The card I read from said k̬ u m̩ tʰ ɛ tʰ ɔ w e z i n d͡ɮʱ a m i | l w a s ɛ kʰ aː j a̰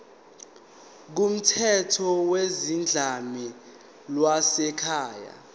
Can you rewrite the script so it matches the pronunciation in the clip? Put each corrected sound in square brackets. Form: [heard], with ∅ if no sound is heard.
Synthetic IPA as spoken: k̬ u m̩ tʰ ɛ tʰ ɔ w e z i n d͡ɮʱ a m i | l w a s ɛ kʰ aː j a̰